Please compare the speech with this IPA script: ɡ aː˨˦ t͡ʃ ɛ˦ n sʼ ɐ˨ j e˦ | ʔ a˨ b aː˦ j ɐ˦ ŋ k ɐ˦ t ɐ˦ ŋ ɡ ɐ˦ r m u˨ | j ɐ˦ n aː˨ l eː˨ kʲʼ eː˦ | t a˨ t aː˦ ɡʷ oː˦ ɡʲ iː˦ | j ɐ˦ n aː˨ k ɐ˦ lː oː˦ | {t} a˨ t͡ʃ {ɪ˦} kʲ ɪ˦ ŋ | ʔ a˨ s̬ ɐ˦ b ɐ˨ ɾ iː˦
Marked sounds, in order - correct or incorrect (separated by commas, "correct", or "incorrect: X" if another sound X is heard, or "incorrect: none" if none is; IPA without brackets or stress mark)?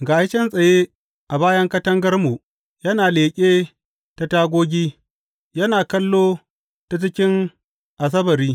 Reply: correct, correct